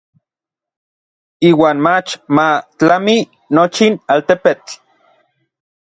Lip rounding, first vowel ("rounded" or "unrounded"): unrounded